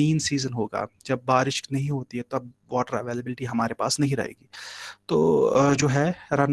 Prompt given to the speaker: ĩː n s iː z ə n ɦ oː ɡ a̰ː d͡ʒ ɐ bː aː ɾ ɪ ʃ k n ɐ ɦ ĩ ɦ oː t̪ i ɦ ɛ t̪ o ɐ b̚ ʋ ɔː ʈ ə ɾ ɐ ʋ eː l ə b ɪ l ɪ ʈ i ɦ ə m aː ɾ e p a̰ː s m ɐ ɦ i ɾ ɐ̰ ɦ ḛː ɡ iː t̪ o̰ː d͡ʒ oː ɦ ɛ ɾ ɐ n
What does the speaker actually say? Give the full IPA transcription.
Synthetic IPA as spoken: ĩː n s iː z ə n ɦ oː ɡ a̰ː d͡ʒ ɐ bː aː ɾ ɪ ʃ k n ɐ ɦ ĩ ɦ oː t̪ i ɦ ɛ t̪ o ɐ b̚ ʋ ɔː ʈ ə ɾ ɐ ʋ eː l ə b ɪ l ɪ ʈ i ɦ ɐ m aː ɾ e p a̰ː s n ɐ ɦ ĩ ɾ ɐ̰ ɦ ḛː ɡ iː t̪ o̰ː d͡ʒ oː ɦ ɛ ɾ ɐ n

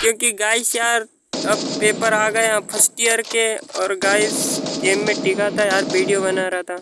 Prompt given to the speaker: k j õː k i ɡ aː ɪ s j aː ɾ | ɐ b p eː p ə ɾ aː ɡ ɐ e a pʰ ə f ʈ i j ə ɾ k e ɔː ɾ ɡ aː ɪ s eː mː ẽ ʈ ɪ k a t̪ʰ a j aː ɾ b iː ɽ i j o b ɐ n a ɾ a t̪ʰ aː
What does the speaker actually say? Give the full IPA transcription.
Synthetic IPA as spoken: k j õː k i ɡ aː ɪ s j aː ɾ | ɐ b p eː p ə ɾ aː ɡ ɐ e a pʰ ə s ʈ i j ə ɾ k e ɔː ɾ ɡ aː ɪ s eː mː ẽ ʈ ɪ k a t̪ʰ a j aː ɾ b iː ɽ i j o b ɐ n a ɾ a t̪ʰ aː

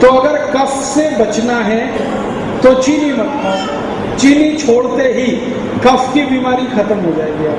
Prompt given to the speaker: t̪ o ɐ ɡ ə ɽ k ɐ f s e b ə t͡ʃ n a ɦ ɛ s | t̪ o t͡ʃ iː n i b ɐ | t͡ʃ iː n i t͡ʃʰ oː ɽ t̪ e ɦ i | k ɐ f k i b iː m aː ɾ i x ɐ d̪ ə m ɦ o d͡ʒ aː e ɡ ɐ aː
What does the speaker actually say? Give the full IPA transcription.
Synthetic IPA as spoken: t̪ o ɐ ɡ ə ɾ k ɐ f s e b ɐ t͡ʃ n a ɦ ɛ | t̪ o t͡ʃ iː n i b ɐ | t͡ʃ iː n i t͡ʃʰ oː ɽ t̪ e ɦ i | k ɐ f k i b iː m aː ɾ i x ɐ t̪ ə m ɦ o d͡ʒ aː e ɡ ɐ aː

